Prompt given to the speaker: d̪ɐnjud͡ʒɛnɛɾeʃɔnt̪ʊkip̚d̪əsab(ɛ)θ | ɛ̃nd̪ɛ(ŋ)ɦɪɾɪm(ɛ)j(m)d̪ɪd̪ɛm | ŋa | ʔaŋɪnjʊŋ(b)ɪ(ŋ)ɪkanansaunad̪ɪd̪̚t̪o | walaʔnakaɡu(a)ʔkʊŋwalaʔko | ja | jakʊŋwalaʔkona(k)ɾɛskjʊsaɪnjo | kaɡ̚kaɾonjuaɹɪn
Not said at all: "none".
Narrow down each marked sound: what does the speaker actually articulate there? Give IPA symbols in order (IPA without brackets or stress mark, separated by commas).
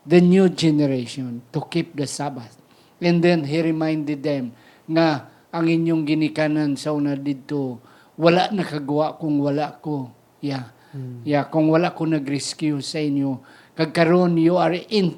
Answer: a, n, a, n, ɡ, n, a, ɡ